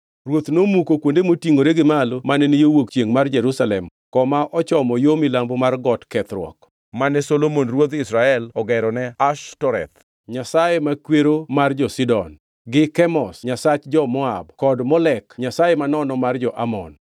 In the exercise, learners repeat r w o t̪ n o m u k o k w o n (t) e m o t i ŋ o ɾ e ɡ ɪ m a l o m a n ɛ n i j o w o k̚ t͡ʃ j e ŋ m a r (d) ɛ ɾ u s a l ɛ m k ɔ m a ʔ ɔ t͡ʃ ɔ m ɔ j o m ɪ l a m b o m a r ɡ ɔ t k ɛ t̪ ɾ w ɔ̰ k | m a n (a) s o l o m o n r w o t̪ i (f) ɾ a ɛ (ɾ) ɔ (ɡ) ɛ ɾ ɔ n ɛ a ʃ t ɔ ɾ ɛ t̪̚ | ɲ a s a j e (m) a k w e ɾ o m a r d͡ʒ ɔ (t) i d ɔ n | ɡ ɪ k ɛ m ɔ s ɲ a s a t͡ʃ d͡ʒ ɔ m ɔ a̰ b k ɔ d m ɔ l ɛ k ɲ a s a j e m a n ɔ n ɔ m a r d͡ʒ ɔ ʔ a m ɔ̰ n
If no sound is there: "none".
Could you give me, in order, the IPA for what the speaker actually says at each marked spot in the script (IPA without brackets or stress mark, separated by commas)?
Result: d, d͡ʒ, ɛ, s, l, ɡ, m, s